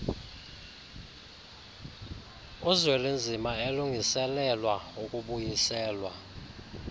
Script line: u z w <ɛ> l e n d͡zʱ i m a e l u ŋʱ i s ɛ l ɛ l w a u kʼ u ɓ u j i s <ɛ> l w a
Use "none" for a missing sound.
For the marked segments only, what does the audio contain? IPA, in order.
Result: ɛ, ɛː

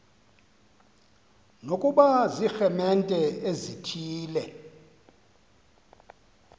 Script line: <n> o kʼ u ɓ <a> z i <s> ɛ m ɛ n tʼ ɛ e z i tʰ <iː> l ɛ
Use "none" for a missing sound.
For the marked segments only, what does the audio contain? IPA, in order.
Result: n, a, x, iː

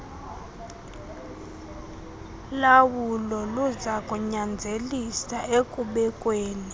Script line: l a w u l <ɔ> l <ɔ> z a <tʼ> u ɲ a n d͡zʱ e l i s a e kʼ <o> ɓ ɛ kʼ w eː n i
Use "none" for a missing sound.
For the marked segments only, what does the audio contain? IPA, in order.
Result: ɔ, u, kʼ, u

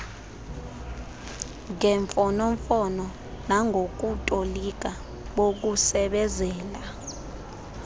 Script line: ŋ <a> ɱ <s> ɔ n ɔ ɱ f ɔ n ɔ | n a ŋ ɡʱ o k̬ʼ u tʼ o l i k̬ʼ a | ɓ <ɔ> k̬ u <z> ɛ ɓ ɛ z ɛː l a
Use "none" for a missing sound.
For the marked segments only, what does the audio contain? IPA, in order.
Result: ɛ, f, o, s

